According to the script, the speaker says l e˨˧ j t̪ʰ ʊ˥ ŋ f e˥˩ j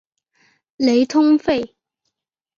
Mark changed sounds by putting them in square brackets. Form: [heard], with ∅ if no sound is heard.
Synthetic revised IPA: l e˨˧ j t̪ʰ ʊ˥ ŋ f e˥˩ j